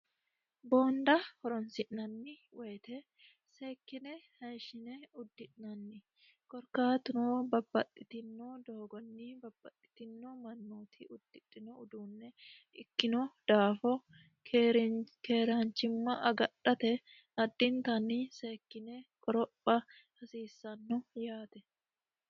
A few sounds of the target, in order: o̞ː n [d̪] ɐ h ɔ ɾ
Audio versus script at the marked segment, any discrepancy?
no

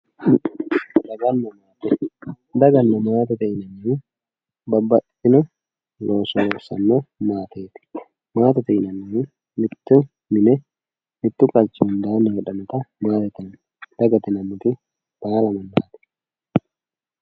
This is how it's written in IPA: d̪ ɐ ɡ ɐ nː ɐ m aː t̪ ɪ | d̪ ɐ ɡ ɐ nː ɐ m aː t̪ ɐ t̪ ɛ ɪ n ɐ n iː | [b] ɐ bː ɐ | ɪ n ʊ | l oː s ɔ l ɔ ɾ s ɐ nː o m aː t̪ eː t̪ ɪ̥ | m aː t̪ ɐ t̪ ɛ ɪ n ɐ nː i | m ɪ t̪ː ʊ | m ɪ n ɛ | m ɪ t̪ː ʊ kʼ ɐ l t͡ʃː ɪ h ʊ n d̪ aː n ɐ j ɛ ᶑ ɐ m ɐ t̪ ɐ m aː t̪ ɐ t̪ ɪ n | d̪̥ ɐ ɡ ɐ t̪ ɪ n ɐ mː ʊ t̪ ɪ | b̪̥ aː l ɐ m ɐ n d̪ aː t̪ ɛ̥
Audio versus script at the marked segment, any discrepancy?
no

